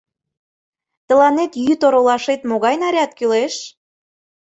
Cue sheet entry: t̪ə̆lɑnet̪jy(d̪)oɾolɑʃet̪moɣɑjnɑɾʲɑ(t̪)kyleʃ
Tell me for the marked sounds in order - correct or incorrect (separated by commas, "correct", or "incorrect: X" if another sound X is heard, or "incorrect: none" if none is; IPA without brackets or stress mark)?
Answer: incorrect: t̪, correct